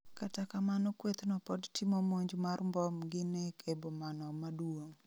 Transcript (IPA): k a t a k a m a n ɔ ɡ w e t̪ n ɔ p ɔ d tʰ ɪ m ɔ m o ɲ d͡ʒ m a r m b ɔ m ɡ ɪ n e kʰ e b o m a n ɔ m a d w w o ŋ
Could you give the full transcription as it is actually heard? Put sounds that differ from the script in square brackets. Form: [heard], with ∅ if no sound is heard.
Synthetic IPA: k a t a k a m a n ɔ [k] w e t̪ n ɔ p ɔ d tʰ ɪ m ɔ m o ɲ d͡ʒ m a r m b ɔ m ɡ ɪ n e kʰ e b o m a n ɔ m a d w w o ŋ